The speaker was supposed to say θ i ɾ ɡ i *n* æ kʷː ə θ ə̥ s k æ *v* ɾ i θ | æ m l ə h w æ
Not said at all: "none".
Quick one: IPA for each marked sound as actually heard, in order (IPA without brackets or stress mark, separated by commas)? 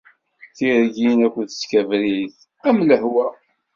n, v